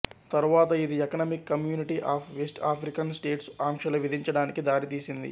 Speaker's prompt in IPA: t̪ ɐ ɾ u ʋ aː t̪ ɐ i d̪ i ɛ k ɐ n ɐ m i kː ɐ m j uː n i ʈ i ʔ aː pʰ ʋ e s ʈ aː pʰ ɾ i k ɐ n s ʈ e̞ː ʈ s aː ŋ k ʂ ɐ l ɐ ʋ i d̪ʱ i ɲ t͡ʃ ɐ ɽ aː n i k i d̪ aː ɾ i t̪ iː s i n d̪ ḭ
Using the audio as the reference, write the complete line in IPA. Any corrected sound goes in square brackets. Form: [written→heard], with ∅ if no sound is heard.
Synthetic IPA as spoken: t̪ ɐ ɾ u ʋ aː t̪ ɐ i d̪ i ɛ k ɐ n ɐ m i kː ɐ m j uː n i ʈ i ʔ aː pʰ ʋ e s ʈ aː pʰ ɾ i k ɐ n s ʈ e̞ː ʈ s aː ŋ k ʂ ɐ l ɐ ʋ i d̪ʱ i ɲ t͡ʃ ɐ ɽ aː n i k i d̪ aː ɾ i t̪ iː s i n d̪ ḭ